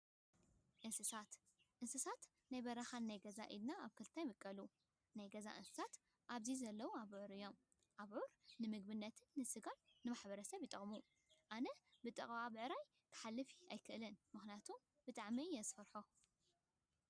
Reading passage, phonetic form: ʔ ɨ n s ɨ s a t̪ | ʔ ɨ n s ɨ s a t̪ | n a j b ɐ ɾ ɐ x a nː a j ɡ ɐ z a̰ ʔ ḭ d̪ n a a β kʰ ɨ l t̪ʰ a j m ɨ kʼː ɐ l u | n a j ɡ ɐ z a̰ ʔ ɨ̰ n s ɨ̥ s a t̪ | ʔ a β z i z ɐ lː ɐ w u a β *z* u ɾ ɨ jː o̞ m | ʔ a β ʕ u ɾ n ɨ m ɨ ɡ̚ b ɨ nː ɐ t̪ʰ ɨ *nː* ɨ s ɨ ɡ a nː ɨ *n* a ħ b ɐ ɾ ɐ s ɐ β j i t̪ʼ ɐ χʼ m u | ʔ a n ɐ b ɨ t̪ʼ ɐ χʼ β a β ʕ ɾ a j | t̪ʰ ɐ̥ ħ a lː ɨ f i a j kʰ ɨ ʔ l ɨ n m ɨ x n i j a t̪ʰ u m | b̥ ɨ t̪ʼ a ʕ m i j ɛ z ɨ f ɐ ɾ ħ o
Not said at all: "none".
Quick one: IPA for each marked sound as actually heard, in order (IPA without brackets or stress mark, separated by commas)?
ʕ, nː, m